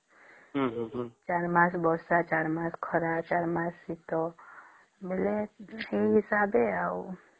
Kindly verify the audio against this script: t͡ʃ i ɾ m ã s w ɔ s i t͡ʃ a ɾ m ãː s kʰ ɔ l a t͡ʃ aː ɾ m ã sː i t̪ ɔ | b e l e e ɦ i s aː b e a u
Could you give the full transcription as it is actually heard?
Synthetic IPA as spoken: t͡ʃ a ɾ m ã s b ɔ s a t͡ʃ a ɾ m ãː s kʰ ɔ ɾ a t͡ʃ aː ɾ m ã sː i t̪ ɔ | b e l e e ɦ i s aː b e a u